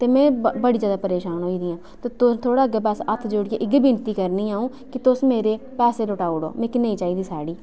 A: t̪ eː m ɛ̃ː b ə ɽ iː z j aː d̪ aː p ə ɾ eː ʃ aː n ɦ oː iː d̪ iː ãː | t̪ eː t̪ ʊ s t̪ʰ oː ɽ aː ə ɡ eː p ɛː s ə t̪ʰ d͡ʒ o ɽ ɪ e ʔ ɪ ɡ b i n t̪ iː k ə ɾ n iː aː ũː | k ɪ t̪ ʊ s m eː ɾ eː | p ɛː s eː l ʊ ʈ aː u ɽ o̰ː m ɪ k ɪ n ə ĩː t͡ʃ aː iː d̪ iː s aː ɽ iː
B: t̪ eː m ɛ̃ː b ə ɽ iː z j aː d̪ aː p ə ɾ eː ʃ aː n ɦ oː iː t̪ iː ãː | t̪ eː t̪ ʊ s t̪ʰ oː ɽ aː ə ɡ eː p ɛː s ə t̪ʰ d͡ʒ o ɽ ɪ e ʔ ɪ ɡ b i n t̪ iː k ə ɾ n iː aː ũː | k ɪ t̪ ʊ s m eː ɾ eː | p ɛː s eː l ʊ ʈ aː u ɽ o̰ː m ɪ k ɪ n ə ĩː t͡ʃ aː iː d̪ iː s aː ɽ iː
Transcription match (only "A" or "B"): A